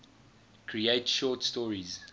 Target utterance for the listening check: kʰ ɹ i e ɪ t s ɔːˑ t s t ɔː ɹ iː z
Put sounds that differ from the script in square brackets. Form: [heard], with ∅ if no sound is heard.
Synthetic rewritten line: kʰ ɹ i e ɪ t [ʃ] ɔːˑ t s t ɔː ɹ [i] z